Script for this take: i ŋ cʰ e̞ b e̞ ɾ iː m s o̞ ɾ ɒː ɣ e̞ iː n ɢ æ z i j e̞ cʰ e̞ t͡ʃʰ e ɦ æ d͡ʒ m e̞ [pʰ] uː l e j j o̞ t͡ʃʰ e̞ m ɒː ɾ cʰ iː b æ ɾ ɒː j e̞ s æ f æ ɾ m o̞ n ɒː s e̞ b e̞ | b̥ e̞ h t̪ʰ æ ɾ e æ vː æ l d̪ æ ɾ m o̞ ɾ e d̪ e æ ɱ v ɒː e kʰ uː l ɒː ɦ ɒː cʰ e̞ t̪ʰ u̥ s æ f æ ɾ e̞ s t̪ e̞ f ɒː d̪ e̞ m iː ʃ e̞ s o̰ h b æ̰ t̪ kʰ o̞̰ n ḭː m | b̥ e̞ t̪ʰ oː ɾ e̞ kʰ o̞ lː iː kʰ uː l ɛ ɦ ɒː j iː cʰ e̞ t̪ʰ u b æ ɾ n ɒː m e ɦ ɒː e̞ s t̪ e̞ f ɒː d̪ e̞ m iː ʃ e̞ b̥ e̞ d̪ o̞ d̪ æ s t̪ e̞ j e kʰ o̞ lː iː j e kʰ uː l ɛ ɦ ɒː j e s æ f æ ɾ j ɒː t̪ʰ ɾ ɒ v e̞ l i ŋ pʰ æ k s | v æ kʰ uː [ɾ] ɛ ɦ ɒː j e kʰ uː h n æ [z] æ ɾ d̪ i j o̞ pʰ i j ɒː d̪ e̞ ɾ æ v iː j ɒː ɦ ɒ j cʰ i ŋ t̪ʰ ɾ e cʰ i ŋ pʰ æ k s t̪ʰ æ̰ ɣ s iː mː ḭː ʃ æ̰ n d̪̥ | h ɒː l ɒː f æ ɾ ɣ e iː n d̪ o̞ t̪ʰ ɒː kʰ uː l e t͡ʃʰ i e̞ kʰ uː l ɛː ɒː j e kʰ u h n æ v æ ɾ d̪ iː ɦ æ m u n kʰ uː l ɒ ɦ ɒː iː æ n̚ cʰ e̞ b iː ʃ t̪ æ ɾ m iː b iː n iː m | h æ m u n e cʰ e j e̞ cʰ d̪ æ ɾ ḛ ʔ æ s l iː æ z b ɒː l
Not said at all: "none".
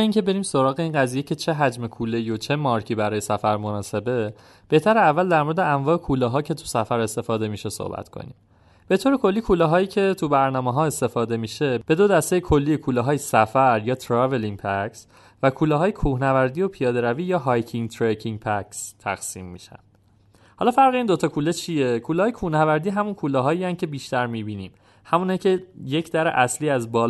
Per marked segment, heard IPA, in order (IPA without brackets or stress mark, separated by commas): kʰ, l, v